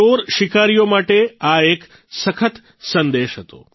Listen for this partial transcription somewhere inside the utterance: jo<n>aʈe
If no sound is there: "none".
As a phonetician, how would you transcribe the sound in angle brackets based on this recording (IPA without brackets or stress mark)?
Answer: m